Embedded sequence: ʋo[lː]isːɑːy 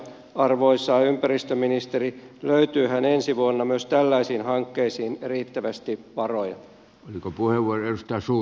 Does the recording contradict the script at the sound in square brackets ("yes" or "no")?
yes